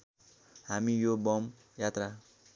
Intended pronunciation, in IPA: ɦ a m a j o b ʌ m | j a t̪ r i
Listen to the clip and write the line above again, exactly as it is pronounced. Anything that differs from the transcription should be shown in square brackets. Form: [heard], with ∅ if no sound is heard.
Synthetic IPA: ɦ a m [i] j o b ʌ m | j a t̪ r [a]